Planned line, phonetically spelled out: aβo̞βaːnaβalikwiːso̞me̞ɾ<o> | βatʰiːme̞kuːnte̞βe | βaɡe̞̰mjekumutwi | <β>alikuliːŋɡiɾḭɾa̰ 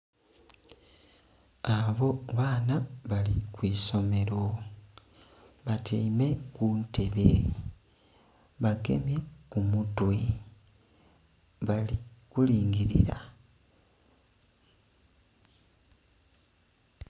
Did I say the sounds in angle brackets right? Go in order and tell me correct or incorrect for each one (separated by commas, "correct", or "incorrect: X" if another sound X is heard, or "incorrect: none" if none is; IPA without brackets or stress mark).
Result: correct, correct